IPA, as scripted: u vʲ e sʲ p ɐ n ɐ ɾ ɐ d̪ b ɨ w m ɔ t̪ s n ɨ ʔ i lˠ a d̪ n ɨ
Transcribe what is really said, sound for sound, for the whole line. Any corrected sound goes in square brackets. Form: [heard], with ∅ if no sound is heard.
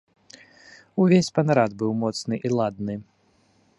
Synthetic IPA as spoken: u vʲ e sʲ p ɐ n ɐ ɾ [a] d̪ b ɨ w m ɔ t̪ s n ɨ ʔ i lˠ a d̪ n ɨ